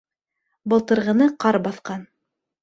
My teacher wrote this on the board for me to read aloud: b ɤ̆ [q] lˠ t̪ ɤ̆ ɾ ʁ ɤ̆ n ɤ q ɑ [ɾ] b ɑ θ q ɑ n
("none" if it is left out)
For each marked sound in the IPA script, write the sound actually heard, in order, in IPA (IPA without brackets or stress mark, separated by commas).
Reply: none, ɾ